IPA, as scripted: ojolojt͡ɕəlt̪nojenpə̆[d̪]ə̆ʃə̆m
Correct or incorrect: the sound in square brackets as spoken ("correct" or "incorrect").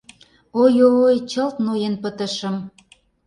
incorrect